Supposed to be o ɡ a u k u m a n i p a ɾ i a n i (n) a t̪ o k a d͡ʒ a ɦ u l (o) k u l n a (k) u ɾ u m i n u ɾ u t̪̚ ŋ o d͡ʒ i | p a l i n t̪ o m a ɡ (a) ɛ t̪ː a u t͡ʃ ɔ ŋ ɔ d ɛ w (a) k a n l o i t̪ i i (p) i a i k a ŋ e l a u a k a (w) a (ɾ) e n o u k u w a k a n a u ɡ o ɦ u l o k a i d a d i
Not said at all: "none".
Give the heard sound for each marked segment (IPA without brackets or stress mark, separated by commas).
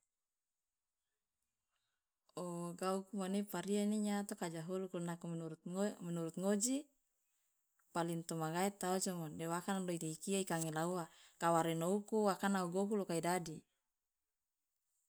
ɲ, u, k, a, a, k, w, ɾ